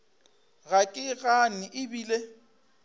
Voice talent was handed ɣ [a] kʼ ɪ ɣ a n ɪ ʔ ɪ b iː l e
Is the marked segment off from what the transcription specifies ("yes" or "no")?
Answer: no